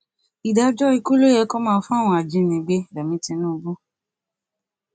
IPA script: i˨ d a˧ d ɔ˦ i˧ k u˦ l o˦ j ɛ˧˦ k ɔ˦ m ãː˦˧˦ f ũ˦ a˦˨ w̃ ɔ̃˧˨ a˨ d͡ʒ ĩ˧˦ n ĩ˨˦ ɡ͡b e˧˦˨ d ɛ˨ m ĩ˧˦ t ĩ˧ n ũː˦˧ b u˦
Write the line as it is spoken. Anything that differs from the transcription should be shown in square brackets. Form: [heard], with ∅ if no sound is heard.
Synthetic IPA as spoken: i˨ d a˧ [d͡ʒ] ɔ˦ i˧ k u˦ l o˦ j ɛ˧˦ k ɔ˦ m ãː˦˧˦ f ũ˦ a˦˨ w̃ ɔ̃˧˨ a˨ d͡ʒ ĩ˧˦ n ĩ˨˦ ɡ͡b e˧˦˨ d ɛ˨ m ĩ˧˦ t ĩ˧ n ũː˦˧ b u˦